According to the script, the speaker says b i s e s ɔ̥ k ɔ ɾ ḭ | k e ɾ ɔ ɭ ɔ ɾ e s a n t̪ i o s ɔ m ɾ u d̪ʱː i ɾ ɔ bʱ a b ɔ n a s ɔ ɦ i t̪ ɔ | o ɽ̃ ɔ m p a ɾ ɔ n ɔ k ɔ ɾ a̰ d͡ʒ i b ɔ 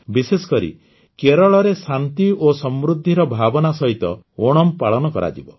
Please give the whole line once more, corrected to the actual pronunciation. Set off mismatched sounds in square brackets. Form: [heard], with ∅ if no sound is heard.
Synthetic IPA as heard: b i s e s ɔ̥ k ɔ ɾ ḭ | k e ɾ ɔ ɭ ɔ ɾ e s a n t̪ i o s ɔ m ɾ u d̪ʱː i ɾ ɔ bʱ a b ɔ n a s ɔ ɦ i t̪ ɔ | o ɽ̃ ɔ m p a [ɭ] ɔ n ɔ k ɔ ɾ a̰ d͡ʒ i b ɔ

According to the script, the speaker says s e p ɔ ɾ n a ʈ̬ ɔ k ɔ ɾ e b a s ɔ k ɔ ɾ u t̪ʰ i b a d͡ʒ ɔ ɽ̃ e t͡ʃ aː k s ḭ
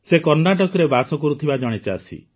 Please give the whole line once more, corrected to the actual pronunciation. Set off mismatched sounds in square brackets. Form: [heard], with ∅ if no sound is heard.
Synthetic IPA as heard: s e [k] ɔ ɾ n a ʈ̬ ɔ k ɔ ɾ e b a s ɔ k ɔ ɾ u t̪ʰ i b a d͡ʒ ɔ ɽ̃ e t͡ʃ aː [∅] s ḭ

